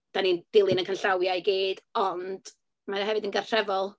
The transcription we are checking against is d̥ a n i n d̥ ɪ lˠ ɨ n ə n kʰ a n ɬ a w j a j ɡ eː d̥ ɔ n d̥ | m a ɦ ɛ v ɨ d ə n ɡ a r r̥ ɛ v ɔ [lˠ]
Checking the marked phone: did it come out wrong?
no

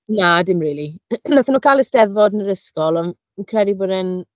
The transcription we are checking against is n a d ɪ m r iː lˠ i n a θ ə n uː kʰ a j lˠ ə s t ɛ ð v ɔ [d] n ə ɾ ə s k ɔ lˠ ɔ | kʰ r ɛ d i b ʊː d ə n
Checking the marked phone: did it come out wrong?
no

